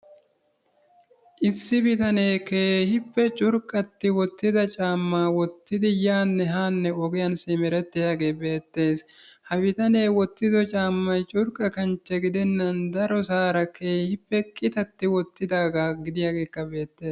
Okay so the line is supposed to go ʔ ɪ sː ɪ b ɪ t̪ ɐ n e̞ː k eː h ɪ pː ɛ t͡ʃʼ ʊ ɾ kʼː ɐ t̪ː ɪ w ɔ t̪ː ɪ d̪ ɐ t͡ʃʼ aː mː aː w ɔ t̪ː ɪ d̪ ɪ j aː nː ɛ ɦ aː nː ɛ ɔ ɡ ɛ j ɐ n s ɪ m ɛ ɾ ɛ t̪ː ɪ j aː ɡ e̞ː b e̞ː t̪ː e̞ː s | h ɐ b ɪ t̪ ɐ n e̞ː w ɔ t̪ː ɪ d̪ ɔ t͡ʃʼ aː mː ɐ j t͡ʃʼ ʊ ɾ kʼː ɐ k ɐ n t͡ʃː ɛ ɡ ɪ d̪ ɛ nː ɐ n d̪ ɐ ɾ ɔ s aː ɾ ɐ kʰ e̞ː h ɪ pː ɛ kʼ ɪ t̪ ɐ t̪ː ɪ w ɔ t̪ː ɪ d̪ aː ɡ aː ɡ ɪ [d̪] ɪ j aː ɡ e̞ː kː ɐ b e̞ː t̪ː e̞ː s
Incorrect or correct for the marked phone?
correct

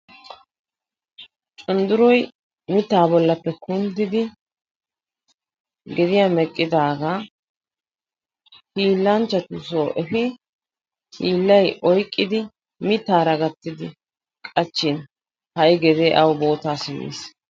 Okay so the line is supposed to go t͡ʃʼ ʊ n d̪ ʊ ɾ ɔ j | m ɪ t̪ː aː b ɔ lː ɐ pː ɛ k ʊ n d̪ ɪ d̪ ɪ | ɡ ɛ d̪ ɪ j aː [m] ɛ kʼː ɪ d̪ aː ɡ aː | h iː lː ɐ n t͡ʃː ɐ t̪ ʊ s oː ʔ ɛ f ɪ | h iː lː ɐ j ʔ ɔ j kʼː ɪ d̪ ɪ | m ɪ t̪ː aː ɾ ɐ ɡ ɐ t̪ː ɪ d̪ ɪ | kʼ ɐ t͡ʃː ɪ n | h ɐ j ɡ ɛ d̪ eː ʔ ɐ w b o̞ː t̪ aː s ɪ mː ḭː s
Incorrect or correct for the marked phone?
correct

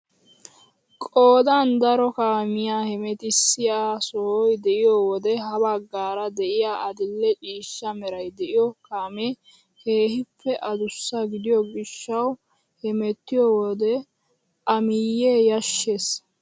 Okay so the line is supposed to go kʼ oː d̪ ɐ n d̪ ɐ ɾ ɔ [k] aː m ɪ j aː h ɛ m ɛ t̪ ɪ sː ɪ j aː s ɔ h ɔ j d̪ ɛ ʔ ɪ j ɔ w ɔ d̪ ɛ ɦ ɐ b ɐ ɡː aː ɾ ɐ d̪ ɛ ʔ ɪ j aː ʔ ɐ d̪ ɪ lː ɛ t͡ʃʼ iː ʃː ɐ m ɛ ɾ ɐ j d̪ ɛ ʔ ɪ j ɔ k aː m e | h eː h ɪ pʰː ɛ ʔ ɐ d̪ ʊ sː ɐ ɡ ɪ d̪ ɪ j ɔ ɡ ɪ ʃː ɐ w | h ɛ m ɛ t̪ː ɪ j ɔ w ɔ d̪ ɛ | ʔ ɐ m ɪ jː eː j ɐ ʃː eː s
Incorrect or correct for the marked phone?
correct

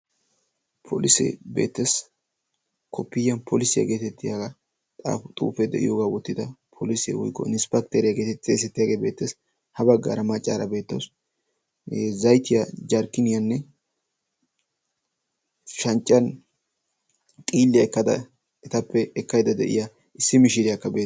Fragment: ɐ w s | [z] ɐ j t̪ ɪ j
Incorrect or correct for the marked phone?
correct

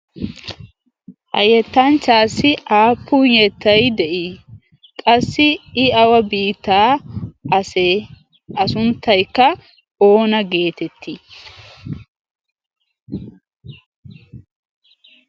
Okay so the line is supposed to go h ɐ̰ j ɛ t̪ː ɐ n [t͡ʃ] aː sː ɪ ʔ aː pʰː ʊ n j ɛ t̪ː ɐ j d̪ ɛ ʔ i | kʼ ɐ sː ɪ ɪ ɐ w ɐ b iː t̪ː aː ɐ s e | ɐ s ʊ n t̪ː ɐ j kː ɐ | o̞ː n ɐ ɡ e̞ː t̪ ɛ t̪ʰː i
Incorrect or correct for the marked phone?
correct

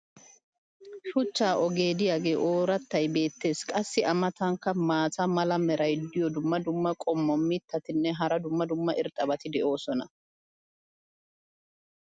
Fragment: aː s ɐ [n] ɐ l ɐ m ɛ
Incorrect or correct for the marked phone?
incorrect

